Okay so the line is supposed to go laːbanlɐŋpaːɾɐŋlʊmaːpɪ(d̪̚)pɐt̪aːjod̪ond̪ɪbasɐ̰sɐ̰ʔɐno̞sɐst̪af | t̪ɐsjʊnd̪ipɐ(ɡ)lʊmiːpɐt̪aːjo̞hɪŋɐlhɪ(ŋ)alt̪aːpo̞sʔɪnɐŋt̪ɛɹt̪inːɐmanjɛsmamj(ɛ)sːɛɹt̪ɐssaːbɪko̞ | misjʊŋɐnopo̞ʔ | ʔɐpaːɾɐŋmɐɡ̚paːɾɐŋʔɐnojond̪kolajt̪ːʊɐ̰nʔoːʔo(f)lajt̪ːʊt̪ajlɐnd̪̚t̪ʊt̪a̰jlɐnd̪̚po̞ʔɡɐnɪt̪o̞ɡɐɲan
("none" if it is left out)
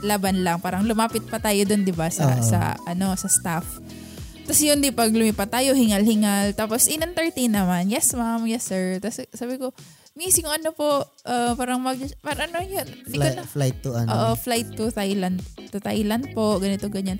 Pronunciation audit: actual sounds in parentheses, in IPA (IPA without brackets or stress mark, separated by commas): t̪̚, ɡ, ŋ, ɛ, f